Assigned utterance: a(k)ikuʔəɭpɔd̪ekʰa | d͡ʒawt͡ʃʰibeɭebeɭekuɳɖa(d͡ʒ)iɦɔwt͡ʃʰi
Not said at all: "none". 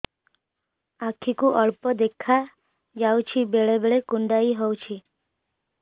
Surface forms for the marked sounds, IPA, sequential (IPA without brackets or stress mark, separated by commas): kʰ, none